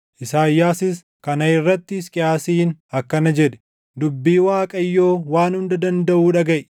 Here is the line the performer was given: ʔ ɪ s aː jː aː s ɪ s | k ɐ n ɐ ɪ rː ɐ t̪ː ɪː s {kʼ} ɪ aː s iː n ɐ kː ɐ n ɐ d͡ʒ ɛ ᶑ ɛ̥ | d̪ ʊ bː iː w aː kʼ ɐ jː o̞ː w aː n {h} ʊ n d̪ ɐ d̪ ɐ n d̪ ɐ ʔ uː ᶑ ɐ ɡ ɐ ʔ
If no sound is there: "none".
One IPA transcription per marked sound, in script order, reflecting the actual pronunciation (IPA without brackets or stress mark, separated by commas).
kʼ, h